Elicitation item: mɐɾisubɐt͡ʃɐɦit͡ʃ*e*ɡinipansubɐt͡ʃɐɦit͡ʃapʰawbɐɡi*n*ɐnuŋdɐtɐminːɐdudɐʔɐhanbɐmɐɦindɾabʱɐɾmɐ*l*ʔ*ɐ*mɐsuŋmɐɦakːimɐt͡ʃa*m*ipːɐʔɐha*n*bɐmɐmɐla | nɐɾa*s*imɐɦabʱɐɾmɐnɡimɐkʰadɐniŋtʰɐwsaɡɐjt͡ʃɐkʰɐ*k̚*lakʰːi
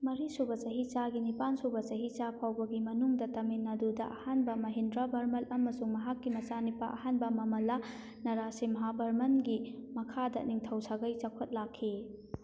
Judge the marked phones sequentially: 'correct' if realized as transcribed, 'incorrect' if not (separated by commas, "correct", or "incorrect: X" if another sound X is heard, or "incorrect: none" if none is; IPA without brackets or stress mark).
incorrect: a, incorrect: m, correct, correct, incorrect: n, correct, correct, incorrect: t̚